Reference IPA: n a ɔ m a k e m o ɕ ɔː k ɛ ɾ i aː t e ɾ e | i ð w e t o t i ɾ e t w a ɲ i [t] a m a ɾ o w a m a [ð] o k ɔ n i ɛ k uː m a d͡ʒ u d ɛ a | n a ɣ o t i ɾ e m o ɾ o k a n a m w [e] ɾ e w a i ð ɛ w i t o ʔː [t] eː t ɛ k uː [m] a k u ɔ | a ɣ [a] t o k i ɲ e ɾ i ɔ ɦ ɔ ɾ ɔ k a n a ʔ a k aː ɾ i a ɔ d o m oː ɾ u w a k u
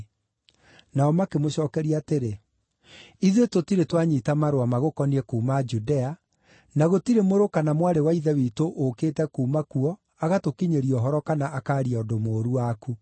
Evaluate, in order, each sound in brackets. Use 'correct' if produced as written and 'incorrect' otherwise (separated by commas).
correct, incorrect, incorrect, incorrect, correct, correct